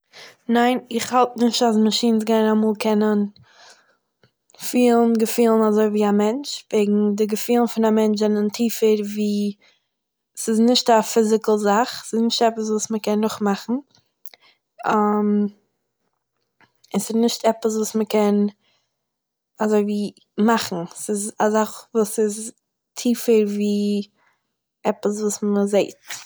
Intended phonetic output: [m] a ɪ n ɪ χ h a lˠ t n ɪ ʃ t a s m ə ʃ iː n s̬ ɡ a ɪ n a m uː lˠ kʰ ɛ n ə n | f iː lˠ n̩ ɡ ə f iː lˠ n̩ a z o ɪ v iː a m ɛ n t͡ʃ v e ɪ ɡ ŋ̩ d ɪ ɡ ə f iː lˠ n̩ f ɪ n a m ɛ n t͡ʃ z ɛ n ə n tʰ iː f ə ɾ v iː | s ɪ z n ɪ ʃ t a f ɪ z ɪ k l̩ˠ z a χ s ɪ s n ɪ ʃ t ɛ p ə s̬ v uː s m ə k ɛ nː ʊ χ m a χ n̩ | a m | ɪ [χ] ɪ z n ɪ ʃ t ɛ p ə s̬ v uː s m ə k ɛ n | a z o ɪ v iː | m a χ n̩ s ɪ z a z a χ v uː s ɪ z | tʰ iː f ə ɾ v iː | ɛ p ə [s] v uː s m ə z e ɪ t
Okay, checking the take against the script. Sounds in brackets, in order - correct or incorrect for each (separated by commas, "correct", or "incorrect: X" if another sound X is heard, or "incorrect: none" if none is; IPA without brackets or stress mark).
incorrect: n, incorrect: s, correct